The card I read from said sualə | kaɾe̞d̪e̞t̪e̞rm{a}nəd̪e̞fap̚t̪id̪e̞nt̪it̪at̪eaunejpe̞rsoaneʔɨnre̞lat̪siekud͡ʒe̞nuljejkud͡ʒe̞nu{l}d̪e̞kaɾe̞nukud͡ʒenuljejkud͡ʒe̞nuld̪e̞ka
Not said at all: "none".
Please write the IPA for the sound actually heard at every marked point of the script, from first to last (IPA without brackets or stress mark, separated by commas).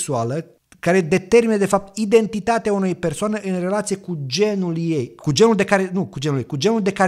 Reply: i, l